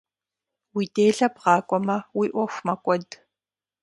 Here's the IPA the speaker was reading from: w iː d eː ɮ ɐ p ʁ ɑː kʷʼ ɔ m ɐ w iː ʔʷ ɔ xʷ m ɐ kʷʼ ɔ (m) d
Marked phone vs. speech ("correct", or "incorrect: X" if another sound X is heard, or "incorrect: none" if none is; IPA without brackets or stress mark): incorrect: none